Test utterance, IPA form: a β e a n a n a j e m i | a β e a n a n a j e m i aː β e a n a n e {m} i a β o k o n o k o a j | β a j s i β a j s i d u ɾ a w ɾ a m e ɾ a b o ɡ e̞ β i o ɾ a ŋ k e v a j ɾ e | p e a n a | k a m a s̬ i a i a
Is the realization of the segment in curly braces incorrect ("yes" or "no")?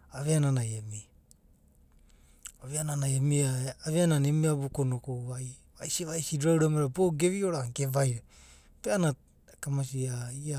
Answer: no